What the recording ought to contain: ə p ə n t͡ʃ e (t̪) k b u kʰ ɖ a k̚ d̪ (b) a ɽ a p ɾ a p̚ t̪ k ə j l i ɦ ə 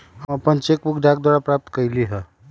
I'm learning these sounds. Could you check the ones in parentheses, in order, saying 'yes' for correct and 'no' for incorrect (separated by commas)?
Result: no, no